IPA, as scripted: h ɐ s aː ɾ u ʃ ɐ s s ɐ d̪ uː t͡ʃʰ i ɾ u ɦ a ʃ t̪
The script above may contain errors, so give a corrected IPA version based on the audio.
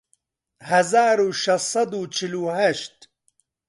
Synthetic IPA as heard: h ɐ z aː ɾ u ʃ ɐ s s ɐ d̪ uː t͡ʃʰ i l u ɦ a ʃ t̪